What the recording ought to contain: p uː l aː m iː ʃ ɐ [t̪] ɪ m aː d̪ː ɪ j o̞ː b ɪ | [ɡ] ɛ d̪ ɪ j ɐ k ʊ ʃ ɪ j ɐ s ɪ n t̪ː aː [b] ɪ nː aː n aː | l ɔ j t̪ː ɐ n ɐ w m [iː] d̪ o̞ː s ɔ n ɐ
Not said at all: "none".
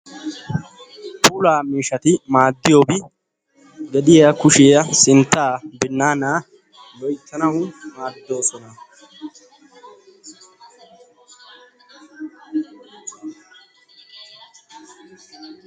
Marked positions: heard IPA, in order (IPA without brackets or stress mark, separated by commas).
t̪, ɡ, b, aː